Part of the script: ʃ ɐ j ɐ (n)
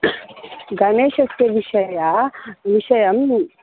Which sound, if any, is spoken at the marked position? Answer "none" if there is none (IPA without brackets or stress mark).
m